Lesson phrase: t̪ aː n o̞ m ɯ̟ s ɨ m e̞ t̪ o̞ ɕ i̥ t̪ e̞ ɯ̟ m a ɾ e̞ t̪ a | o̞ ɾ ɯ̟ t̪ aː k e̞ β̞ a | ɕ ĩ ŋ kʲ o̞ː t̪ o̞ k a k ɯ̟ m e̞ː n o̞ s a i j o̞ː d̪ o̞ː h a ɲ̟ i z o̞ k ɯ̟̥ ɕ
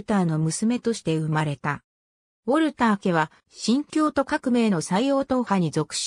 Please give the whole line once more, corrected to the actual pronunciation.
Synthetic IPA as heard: t̪ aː n o̞ m ɯ̟ s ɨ m e̞ t̪ o̞ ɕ i̥ t̪ e̞ ɯ̟ m a ɾ e̞ t̪ a | o̞ ɾ ɯ̟ t̪ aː k e̞ β̞ a | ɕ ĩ ŋ kʲ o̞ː t̪ o̞ k a k ɯ̟ m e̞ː n o̞ s a i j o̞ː t̪ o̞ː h a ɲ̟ i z o̞ k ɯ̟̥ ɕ

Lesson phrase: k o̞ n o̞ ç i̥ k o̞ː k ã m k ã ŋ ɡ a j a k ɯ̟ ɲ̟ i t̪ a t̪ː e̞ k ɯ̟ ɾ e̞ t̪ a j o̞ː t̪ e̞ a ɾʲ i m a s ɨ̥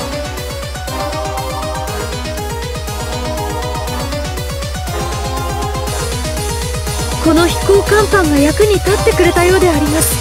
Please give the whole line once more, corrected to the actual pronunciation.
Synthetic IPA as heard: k o̞ n o̞ ç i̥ k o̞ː k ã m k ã ŋ ɡ a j a k ɯ̟ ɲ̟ i t̪ a t̪ː e̞ k ɯ̟ ɾ e̞ t̪ a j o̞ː d̪ e̞ a ɾʲ i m a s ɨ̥

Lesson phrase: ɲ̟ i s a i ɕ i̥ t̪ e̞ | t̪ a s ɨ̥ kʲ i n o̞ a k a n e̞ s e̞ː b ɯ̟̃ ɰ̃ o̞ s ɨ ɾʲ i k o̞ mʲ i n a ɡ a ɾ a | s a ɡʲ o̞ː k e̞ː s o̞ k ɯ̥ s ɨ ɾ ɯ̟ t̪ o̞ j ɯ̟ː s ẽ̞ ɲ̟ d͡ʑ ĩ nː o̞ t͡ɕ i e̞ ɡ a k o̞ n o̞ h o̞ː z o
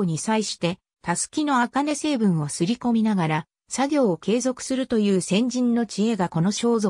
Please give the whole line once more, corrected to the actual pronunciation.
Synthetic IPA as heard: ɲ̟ i s a i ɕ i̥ t̪ e̞ | t̪ a s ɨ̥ kʲ i n o̞ a k a n e̞ s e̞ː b ɯ̟̃ ɰ̃ o̞ s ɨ ɾʲ i k o̞ mʲ i n a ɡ a ɾ a | s a ɡʲ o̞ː k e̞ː z o̞ k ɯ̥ s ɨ ɾ ɯ̟ t̪ o̞ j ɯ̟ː s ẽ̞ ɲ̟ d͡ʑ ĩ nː o̞ t͡ɕ i e̞ ɡ a k o̞ n o̞ ɕ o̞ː z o

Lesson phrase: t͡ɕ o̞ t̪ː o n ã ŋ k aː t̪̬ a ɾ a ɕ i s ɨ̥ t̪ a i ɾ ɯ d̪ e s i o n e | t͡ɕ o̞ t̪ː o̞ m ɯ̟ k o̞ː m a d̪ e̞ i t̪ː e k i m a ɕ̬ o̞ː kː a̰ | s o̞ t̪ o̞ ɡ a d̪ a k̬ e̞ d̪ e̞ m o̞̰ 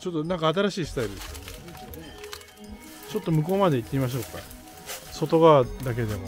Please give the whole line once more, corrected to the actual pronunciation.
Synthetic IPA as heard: t͡ɕ o̞ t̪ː o n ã ŋ k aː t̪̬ a ɾ a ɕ iː s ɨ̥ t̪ a i ɾ ɯ d̪ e s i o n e | t͡ɕ o̞ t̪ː o̞ m ɯ̟ k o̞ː m a d̪ e̞ i t̪ː e i m a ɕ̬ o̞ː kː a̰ | s o̞ t̪ o̞ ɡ a d̪ a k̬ e̞ d̪ e̞ m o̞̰

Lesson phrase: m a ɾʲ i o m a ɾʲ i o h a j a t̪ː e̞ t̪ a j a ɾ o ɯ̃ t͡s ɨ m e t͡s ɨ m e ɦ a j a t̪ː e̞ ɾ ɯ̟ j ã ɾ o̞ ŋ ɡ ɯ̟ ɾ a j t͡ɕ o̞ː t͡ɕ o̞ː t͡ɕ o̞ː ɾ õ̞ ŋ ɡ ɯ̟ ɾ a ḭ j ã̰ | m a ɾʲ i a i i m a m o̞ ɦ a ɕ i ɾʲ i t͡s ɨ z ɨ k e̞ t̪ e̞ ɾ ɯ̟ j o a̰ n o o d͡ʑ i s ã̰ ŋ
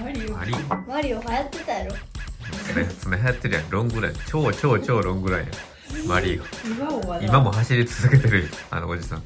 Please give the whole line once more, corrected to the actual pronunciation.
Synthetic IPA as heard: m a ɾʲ i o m a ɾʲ i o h a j a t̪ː e̞ t̪ a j a ɾ o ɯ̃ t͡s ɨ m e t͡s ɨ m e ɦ a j a t̪ː e̞ ɾ ɯ̟ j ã ɾ õ̞ ŋ ɡ ɯ̟ ɾ a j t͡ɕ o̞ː t͡ɕ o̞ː t͡ɕ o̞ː ɾ õ̞ ŋ ɡ ɯ̟ ɾ a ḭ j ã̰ | m a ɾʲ i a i i m a m o̞ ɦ a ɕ i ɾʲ i t͡s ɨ z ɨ k e̞ t̪ e̞ ɾ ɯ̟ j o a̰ n o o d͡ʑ i s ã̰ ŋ

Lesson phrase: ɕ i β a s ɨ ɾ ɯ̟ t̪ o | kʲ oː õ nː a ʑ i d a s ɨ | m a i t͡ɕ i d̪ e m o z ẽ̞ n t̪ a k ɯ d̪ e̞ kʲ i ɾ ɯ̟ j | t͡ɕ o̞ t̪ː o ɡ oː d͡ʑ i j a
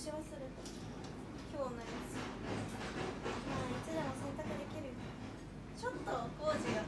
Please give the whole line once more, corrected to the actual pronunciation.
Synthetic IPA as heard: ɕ i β a s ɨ ɾ ɯ̟ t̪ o | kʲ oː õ nː a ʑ i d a s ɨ | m a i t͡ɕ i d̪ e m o s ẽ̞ n t̪ a k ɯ d̪ e̞ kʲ i ɾ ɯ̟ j | t͡ɕ o̞ t̪ː o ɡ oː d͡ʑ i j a

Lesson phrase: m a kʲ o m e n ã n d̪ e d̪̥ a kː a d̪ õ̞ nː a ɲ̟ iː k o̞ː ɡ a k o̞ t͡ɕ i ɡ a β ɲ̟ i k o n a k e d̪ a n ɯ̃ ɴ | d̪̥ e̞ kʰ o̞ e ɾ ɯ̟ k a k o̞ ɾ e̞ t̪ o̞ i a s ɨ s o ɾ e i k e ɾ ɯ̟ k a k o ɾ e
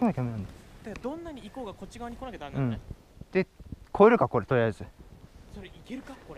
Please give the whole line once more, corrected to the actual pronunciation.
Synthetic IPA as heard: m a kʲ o m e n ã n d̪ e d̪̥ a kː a d̪ õ̞ nː a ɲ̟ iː k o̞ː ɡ a k o̞ t͡ɕ i ɡ a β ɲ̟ i k o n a k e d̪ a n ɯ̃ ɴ | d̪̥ e̞ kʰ o̞ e ɾ ɯ̟ k a k o̞ ɾ e̞ t̪ o̞ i a z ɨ s o ɾ e i k e ɾ ɯ̟ k a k o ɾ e

